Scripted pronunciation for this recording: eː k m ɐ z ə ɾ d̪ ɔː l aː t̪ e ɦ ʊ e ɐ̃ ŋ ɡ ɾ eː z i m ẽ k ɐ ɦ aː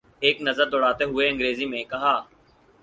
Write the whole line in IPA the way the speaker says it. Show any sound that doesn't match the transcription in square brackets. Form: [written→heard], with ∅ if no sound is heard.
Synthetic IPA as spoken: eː k [m→n] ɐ z ə ɾ d̪ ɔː [l→ɽ] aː t̪ e ɦ ʊ e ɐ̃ ŋ ɡ ɾ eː z i m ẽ k ɐ ɦ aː